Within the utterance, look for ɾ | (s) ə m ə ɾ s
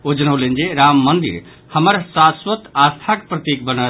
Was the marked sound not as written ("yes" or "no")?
yes